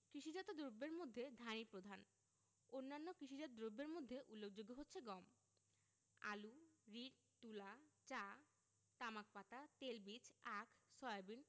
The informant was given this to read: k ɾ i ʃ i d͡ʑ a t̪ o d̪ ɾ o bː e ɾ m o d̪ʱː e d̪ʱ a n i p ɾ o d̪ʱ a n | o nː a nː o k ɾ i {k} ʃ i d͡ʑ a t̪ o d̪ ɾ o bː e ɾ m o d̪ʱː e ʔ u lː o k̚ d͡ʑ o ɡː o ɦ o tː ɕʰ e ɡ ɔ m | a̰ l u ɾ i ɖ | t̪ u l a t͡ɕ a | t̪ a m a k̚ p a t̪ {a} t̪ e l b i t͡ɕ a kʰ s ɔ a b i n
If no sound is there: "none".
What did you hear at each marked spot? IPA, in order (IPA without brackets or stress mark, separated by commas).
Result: none, a